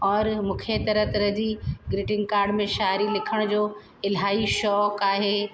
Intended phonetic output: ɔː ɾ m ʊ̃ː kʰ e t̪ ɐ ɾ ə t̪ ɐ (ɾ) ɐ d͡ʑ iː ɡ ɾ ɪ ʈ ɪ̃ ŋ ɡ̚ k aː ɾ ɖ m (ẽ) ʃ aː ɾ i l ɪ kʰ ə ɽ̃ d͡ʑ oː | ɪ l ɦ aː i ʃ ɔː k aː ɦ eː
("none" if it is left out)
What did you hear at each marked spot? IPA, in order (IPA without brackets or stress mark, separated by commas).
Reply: ɾ, ẽ